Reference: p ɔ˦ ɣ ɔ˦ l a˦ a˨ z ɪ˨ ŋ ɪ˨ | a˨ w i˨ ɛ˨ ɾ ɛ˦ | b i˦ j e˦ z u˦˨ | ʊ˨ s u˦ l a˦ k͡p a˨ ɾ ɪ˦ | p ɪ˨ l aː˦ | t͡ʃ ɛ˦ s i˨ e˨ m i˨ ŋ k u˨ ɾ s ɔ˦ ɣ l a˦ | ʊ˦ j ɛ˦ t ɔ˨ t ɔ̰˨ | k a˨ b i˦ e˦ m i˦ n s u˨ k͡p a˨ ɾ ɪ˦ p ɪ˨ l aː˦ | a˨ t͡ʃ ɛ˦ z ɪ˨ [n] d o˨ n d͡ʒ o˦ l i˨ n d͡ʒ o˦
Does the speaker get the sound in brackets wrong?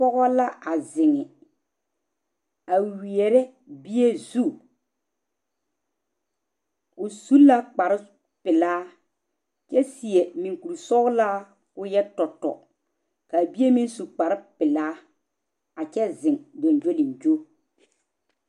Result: yes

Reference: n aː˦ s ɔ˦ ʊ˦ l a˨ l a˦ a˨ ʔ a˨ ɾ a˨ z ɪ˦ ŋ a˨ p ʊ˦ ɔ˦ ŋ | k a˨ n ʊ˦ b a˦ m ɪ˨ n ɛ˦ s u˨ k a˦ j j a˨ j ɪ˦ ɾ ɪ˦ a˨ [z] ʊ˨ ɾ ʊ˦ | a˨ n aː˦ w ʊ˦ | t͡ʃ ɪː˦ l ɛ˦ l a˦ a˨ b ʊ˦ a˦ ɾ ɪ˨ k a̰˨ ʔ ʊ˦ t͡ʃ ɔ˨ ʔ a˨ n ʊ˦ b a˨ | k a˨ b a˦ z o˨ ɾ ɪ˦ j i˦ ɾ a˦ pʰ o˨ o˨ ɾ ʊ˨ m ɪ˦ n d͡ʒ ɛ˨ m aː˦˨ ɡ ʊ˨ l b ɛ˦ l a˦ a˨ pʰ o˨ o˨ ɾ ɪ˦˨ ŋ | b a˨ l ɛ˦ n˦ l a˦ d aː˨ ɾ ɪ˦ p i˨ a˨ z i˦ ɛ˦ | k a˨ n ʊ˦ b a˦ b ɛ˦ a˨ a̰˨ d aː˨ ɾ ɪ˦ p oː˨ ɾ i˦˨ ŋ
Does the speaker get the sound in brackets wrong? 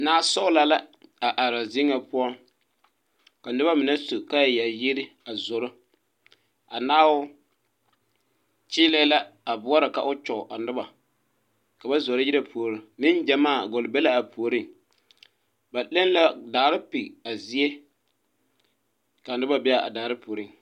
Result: no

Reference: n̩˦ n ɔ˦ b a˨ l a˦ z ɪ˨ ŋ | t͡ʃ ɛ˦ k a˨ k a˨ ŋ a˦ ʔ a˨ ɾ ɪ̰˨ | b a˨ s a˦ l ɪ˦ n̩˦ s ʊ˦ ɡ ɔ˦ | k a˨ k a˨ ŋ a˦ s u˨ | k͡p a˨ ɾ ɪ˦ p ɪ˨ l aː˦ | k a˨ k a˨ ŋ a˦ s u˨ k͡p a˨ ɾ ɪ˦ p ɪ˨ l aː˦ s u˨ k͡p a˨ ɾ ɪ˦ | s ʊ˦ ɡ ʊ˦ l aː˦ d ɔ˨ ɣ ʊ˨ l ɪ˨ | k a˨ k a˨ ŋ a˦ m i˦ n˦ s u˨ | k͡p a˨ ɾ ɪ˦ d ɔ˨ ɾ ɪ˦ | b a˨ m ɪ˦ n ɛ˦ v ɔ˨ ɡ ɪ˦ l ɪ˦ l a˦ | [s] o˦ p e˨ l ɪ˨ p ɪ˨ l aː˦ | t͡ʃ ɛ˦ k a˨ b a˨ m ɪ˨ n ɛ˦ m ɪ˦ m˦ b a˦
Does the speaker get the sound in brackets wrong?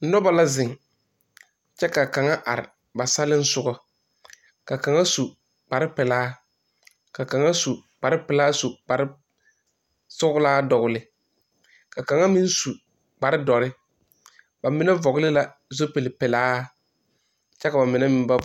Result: yes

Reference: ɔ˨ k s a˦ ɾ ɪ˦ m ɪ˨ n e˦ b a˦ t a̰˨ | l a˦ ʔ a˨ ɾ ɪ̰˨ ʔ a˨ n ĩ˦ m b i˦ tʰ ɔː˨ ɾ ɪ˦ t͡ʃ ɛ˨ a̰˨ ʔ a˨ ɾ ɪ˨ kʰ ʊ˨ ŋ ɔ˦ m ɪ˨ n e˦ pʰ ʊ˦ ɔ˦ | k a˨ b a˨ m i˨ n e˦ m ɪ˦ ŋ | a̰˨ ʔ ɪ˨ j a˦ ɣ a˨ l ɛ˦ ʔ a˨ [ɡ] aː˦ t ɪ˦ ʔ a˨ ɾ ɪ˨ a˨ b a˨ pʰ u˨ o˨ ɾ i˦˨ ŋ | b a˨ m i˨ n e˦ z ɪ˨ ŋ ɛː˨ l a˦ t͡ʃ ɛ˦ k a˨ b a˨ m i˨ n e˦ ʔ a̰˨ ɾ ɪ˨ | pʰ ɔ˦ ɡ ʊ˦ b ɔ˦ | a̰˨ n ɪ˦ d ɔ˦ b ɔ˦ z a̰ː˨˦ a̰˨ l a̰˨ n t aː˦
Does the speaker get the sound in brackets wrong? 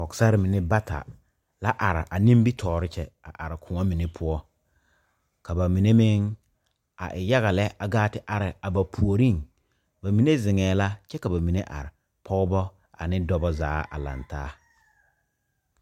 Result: no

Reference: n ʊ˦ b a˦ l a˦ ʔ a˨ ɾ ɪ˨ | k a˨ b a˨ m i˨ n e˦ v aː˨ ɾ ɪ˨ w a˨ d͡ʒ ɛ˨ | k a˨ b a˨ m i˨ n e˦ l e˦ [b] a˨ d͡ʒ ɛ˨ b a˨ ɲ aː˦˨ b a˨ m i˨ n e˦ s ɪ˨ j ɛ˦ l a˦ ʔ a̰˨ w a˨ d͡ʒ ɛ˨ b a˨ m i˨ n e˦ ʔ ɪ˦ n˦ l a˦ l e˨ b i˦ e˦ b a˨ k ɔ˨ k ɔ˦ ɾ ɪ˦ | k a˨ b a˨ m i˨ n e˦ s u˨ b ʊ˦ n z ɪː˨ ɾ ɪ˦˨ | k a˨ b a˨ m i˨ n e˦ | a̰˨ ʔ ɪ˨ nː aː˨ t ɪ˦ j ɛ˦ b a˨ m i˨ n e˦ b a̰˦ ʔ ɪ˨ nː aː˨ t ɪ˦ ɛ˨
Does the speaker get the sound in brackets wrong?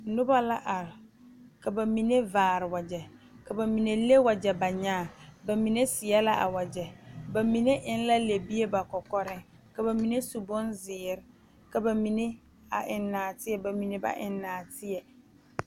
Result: yes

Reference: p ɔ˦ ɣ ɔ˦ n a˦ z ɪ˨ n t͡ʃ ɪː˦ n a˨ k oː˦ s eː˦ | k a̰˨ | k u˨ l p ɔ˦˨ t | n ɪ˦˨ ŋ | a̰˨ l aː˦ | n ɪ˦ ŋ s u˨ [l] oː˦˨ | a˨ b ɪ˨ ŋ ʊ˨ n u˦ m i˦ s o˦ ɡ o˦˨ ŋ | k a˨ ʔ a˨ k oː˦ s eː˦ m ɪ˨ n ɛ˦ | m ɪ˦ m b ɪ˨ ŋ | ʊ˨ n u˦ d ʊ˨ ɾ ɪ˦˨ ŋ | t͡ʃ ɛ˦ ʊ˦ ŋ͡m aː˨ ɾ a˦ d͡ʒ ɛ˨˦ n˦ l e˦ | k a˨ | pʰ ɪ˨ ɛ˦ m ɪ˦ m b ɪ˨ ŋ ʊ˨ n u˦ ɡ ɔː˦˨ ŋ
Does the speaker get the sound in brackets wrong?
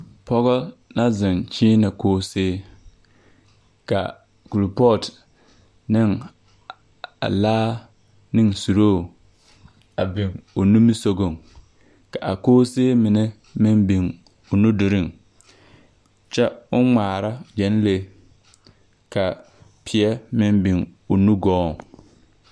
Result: yes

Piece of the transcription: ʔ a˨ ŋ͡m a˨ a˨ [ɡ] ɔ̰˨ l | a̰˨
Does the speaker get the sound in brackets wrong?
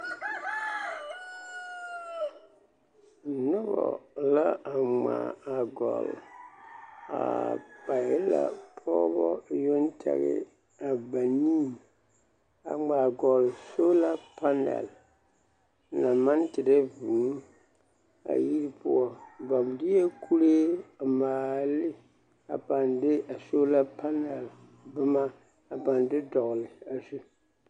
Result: no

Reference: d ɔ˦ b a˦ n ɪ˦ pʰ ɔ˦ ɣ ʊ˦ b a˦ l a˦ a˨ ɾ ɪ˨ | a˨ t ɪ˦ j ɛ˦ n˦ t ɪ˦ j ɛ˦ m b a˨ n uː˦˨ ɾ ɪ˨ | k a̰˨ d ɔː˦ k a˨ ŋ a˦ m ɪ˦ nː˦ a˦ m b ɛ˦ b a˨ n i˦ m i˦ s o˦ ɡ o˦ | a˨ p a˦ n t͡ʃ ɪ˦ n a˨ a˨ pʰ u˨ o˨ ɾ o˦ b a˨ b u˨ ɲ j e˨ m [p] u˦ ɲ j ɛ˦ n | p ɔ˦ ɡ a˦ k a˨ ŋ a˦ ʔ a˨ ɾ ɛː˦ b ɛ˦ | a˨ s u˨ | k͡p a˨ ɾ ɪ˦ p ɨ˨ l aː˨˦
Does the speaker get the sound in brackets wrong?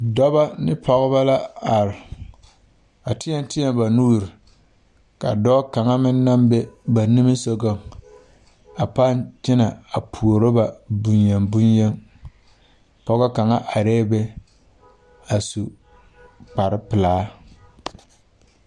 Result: yes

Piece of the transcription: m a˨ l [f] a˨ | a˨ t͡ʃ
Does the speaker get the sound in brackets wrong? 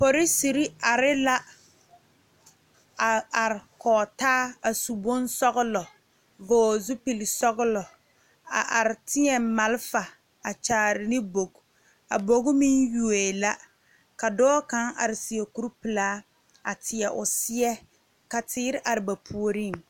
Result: no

